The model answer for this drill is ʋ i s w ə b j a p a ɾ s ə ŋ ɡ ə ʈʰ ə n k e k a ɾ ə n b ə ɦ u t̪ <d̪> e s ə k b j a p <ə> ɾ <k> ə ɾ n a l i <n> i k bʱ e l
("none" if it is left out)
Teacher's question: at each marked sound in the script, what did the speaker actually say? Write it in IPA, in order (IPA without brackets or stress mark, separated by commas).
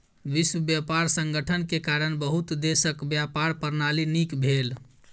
d̪, a, p, n